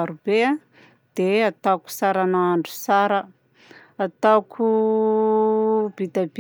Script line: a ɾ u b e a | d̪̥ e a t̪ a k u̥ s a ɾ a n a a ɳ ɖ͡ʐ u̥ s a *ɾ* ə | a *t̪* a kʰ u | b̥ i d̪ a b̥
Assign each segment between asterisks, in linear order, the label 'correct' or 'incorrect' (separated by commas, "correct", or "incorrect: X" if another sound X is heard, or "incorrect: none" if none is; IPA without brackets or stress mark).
correct, correct